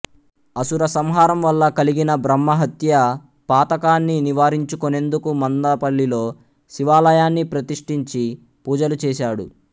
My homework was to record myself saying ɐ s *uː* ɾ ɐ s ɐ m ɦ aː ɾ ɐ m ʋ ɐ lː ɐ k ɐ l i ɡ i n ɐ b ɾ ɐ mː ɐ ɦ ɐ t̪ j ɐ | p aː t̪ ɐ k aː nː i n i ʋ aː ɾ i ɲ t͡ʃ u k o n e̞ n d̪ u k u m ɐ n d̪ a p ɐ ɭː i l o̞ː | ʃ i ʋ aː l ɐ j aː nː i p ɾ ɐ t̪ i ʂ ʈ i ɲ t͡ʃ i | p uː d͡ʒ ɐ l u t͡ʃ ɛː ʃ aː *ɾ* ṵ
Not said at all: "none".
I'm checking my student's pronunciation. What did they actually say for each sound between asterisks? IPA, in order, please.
u, ɽ

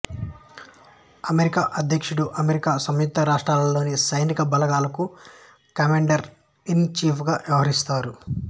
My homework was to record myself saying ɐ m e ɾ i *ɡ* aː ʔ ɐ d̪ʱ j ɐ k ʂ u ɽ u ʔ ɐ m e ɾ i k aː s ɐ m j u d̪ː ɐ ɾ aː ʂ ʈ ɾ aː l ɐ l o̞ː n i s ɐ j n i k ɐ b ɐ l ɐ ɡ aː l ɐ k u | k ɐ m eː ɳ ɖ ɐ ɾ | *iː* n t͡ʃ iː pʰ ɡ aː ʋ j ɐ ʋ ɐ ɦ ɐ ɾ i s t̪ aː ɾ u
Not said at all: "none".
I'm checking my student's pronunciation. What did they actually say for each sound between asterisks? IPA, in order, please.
k, i

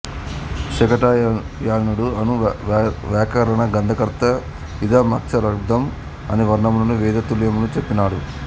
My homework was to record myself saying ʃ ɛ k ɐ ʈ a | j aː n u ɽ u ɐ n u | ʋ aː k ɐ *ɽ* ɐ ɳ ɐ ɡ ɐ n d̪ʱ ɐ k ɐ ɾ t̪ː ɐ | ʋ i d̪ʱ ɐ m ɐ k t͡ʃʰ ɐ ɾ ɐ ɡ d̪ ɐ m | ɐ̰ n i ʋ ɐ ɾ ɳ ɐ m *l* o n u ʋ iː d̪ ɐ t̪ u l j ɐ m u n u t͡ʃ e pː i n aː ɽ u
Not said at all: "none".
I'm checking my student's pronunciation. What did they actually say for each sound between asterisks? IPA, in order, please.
ɾ, l

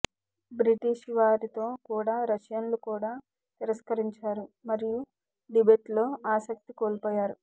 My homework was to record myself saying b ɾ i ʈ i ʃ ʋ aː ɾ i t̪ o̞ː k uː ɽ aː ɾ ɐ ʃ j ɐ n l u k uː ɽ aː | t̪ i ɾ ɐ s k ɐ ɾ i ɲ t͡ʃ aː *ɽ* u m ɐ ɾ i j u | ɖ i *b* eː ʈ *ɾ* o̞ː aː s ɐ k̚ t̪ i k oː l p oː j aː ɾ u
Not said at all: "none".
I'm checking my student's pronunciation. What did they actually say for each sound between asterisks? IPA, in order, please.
ɾ, b, l

